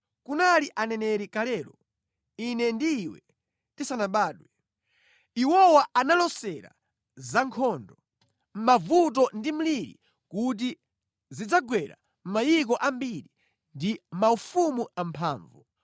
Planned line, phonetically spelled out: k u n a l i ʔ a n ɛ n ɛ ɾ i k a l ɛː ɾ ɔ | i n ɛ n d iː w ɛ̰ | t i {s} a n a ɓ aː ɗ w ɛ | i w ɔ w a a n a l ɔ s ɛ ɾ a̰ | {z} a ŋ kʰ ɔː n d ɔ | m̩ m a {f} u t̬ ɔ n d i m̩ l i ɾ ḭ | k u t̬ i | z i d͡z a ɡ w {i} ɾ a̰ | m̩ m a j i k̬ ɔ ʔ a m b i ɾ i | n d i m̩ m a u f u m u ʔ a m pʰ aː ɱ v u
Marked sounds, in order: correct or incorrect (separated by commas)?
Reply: correct, correct, incorrect, incorrect